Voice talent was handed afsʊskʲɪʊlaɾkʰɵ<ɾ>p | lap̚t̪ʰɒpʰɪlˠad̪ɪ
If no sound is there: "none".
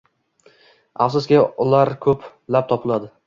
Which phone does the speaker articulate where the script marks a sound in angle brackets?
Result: none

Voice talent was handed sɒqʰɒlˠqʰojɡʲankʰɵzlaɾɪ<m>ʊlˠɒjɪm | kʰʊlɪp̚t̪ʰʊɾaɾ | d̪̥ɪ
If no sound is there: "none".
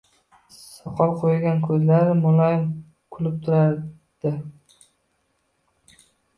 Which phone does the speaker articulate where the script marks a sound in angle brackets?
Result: m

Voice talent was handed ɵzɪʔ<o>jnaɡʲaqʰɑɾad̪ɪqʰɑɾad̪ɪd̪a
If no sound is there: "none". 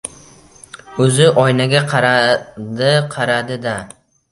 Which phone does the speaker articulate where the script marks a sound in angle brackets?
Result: ɒ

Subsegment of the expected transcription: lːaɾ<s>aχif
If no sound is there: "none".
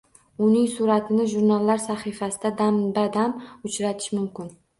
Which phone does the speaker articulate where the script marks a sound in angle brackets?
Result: s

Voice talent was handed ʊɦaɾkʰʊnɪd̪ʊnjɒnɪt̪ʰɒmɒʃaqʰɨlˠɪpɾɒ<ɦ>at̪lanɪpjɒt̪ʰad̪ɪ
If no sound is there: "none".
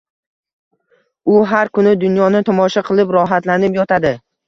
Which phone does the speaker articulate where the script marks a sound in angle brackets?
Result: ɦ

